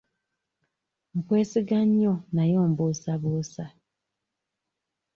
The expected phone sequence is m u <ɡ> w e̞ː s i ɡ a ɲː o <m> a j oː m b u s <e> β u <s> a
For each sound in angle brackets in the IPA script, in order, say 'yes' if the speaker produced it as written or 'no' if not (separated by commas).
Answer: no, no, no, yes